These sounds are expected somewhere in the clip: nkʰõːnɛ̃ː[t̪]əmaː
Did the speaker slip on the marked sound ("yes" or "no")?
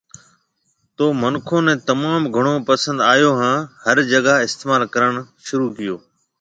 no